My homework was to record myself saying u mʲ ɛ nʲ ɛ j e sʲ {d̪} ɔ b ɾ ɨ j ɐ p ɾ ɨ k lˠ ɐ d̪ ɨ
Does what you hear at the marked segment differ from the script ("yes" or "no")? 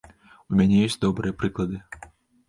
no